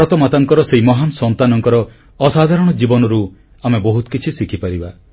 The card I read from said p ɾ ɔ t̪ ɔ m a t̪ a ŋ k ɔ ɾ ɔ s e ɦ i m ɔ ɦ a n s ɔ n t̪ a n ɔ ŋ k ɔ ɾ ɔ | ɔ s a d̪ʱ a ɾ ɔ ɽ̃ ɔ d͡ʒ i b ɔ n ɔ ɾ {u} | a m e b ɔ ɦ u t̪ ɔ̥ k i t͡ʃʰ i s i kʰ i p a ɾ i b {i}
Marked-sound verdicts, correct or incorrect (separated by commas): correct, incorrect